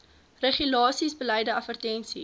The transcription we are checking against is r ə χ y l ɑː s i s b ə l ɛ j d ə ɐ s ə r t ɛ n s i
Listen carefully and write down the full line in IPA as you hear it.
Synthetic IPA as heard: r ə χ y l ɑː s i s b ə l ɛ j d ə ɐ f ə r t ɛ n s i